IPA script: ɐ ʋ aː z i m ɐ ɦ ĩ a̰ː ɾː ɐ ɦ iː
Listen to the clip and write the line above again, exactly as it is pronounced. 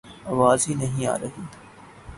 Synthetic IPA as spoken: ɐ ʋ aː z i n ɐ ɦ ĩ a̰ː ɾ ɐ ɦ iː